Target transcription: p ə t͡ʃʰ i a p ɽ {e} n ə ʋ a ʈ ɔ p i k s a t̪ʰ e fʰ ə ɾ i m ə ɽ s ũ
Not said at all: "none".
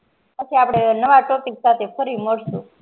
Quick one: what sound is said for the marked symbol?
e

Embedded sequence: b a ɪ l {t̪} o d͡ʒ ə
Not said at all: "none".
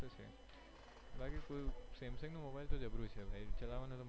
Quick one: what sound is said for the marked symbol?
t̪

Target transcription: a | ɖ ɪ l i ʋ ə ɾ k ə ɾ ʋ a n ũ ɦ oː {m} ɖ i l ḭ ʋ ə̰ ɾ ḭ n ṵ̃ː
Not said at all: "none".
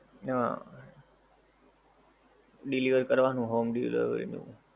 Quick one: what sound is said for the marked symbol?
m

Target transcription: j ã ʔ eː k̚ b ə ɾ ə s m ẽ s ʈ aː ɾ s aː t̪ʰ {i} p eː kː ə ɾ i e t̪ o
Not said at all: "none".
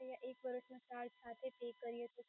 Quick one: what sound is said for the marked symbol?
e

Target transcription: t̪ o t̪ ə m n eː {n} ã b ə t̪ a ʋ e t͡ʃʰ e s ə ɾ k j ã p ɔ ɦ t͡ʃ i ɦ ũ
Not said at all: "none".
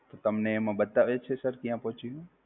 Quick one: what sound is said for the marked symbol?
m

